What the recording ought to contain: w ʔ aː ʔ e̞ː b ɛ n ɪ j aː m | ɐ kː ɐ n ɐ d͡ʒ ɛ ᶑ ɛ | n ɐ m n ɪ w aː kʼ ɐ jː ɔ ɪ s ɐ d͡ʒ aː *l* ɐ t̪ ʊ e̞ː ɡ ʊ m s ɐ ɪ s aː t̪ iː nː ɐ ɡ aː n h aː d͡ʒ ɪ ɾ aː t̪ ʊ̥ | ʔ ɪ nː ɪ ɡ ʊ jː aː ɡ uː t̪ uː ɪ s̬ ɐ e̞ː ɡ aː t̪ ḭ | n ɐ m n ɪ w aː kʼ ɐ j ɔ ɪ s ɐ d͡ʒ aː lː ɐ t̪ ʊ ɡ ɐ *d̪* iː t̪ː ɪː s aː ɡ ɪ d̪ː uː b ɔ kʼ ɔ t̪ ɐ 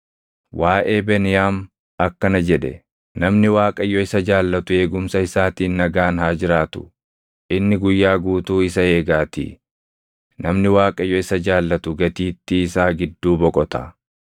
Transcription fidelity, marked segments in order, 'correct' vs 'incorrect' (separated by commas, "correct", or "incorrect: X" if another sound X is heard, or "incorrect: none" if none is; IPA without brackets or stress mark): incorrect: lː, incorrect: t̪